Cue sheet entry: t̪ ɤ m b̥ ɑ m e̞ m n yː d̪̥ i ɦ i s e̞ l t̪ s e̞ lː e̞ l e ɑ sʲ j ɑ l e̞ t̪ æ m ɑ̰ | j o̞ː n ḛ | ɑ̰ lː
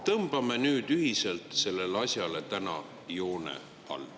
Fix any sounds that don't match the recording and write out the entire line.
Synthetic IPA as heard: t̪ ɤ m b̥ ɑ m e̞ n yː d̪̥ y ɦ i s e̞ l t̪ s e̞ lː e̞ l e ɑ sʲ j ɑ l e̞ t̪ æ n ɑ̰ | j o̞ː n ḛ | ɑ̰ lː